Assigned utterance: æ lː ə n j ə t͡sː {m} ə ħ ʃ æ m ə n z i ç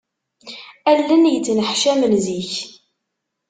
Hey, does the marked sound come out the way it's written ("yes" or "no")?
no